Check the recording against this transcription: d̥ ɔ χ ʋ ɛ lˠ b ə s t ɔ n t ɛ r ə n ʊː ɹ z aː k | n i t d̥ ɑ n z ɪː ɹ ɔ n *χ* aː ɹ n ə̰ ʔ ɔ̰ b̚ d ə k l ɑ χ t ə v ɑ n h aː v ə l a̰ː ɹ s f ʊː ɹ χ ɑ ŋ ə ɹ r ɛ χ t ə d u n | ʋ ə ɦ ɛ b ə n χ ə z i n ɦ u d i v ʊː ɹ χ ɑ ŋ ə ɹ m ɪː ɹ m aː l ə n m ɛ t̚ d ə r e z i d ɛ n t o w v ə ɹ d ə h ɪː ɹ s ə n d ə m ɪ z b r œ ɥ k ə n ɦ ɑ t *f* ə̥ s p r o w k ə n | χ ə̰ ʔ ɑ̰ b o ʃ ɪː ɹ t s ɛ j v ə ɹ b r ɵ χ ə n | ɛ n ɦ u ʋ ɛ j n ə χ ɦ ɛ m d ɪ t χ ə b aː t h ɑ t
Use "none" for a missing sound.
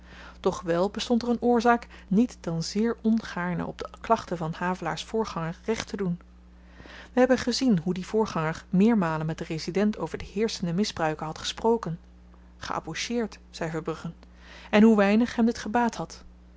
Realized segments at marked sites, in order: χ, χ

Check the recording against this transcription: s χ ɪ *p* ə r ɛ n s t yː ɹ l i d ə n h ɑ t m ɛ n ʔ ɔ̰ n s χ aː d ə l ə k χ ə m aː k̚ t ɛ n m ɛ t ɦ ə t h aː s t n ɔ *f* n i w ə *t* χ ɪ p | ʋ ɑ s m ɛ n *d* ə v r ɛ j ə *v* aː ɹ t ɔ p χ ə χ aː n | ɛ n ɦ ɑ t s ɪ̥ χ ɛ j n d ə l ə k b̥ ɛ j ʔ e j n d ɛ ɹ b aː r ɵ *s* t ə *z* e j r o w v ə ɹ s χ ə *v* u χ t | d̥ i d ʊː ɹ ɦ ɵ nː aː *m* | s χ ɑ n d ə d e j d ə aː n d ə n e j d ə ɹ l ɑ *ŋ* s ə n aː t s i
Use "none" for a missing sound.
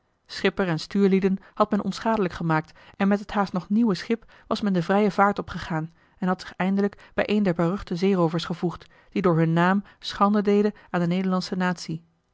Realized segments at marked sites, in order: p, χ, s, d, v, χ, z, v, m, n

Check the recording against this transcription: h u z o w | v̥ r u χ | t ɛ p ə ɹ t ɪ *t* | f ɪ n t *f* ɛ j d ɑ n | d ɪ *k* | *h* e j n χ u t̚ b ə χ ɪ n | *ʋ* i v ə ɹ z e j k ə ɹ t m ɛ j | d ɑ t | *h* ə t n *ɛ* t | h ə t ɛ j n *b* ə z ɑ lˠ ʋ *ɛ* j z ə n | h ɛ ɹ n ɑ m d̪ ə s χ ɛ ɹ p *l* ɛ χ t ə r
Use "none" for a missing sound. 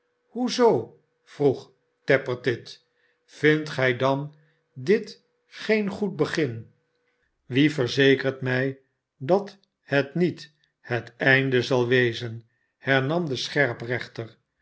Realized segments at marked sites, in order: t, χ, t, χ, ʋ, h, i, d, e, r

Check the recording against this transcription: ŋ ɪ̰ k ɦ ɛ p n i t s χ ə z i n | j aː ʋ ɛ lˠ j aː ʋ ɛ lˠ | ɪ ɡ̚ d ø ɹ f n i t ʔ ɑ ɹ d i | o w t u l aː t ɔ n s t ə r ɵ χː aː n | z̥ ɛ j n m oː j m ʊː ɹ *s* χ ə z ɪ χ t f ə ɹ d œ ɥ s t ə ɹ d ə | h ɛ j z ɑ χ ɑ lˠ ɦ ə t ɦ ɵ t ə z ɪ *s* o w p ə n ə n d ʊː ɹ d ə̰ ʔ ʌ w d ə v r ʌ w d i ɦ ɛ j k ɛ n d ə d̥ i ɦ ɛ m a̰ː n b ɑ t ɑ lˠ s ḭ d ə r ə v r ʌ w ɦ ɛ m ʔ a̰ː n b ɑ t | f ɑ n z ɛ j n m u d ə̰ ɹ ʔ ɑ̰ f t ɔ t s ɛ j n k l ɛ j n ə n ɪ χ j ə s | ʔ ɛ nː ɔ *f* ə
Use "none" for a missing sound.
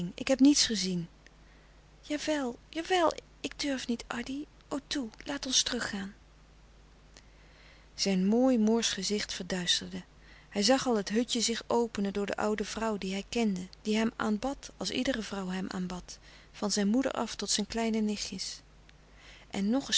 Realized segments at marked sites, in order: s, χ, χ

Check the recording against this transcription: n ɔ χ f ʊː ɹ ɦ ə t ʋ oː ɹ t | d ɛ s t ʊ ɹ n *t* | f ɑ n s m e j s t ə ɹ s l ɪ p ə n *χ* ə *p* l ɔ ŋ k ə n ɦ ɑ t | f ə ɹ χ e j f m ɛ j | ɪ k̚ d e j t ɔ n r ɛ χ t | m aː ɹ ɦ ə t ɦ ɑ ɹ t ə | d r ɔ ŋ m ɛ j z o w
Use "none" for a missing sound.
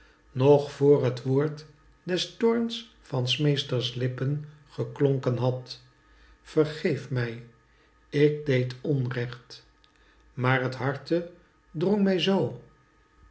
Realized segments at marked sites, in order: s, χ, k

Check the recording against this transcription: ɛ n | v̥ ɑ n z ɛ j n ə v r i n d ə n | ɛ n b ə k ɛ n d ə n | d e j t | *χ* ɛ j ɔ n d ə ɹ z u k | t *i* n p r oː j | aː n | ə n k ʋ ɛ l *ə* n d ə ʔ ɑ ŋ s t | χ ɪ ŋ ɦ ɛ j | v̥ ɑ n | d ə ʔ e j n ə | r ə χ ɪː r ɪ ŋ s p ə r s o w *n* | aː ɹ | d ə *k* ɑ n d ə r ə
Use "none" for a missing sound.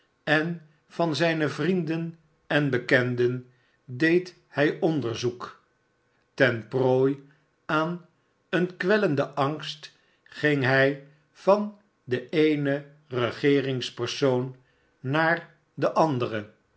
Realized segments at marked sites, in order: h, ɛ, ə, nː, ʔ

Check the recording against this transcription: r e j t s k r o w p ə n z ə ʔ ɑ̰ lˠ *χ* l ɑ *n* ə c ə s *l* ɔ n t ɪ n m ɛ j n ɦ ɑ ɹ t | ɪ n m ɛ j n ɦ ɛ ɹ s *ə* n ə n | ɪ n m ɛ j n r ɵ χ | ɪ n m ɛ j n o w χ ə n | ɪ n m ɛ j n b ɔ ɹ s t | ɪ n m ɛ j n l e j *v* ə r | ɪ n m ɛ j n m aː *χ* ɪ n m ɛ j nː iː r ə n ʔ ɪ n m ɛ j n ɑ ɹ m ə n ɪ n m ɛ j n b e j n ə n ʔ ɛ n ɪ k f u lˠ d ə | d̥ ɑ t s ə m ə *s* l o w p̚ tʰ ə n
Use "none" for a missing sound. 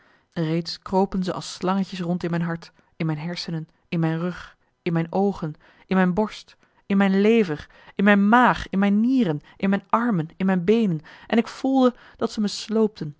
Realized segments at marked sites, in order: s, ŋ, r, ə, v, χ, s

